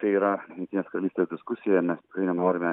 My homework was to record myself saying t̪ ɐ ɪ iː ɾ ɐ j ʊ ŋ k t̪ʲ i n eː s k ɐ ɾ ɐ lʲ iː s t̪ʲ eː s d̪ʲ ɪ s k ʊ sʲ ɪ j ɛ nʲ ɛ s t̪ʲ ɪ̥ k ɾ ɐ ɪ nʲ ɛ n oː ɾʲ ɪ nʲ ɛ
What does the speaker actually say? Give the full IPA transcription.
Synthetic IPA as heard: t̪ ɐ ɪ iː ɾ ɐ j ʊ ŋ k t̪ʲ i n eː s k ɐ ɾ ɐ lʲ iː s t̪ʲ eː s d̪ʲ ɪ s k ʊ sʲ ɪ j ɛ mʲ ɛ s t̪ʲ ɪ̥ k ɾ ɐ ɪ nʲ ɛ n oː ɾʲ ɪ mʲ ɛ